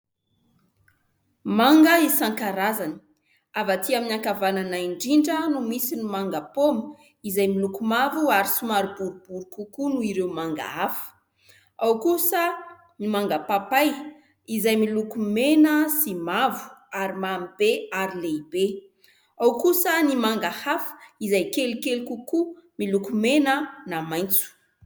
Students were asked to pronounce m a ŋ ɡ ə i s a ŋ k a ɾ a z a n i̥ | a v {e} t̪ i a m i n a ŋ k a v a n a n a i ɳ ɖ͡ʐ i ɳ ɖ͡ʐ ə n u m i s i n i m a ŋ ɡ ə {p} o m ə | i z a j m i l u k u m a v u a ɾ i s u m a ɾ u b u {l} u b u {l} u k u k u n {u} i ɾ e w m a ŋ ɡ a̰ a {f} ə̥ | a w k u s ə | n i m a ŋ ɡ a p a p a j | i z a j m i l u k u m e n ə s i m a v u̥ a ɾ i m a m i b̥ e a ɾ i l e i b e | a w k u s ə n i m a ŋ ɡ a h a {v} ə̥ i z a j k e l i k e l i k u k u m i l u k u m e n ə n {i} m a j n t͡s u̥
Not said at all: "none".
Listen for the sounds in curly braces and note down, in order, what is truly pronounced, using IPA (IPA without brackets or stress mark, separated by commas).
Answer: a, p, ɾ, ɾ, u, f, f, a